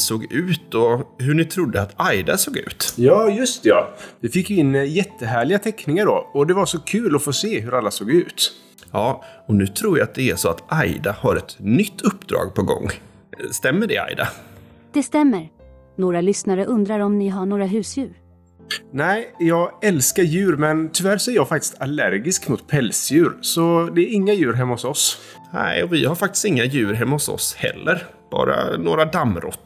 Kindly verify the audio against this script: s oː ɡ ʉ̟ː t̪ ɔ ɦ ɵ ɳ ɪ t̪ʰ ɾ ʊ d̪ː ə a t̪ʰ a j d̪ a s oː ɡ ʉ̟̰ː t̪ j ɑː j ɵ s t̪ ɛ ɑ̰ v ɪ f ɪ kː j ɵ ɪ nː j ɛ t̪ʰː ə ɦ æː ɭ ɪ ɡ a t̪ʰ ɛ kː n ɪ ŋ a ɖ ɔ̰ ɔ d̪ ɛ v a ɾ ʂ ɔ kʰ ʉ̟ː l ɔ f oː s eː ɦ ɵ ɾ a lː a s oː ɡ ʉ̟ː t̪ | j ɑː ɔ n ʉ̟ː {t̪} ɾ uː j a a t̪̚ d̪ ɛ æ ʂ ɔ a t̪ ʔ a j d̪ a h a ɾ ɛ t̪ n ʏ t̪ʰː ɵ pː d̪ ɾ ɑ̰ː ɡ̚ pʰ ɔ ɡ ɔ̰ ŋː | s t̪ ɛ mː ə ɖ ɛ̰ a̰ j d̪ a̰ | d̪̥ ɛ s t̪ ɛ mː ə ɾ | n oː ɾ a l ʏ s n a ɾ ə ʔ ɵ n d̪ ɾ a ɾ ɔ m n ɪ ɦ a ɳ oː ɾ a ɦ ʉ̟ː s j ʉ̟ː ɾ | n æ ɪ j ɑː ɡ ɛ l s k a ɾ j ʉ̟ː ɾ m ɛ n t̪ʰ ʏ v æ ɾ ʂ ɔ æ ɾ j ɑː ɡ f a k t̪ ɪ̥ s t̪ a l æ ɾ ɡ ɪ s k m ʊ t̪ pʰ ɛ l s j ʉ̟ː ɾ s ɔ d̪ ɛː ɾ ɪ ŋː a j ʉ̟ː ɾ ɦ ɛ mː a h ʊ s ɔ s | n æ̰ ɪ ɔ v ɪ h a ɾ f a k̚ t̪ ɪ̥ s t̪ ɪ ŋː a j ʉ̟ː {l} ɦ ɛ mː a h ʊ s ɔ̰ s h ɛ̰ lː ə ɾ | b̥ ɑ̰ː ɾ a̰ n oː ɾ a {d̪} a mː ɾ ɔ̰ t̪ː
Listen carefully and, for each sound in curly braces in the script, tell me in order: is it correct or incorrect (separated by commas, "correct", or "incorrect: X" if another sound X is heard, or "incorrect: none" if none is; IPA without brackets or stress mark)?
incorrect: t̪ʰ, incorrect: ɾ, correct